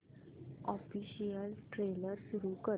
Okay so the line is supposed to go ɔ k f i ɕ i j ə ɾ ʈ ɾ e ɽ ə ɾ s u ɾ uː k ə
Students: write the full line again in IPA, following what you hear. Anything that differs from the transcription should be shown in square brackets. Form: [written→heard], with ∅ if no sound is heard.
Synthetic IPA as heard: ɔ [k→∅] f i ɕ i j ə [ɾ→l] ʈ ɾ e [ɽ→l] ə ɾ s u ɾ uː k ə